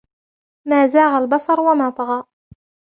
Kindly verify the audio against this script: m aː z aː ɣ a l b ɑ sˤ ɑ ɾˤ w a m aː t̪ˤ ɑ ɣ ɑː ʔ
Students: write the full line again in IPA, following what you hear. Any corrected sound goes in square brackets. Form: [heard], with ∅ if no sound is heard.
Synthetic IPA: m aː z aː ɣ a l b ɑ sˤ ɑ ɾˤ w a m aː t̪ˤ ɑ ɣ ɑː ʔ